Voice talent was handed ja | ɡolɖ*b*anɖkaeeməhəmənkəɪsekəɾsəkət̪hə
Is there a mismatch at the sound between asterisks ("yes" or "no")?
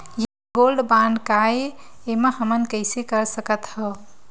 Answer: no